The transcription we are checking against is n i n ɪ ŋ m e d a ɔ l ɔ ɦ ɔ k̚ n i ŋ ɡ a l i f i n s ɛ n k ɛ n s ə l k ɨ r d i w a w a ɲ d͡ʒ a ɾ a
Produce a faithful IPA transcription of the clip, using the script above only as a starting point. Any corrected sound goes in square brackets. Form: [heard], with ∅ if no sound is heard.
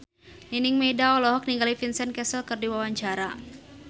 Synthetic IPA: n i n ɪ ŋ m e d a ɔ l ɔ ɦ ɔ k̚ n i ŋ ɡ a l i f i n s ɛ n k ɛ [∅] s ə l k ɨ r d i w a w a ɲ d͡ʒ a ɾ a